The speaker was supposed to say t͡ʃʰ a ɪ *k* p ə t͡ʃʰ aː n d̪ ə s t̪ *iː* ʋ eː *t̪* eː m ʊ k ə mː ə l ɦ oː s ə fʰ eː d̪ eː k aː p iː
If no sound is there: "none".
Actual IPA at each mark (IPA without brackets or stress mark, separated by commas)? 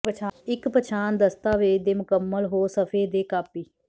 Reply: k, aː, d̪